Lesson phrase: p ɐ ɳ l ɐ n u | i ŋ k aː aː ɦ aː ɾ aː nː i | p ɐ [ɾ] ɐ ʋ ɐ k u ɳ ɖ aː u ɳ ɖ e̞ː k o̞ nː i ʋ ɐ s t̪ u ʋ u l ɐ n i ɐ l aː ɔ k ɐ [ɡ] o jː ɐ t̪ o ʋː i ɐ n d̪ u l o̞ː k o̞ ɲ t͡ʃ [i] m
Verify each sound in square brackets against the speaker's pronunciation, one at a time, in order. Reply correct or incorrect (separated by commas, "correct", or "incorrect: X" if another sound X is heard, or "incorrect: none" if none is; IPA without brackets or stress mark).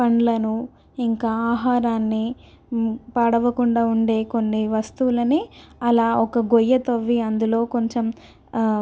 incorrect: ɽ, correct, incorrect: e